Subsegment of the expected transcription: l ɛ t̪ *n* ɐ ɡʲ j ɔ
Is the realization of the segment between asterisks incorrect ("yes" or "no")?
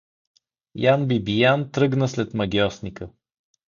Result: yes